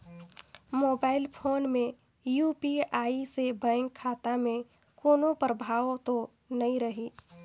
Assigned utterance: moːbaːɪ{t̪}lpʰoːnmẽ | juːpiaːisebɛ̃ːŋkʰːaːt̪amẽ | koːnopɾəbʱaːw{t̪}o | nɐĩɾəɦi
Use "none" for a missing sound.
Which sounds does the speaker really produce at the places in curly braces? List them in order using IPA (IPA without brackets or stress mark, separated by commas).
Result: none, t̪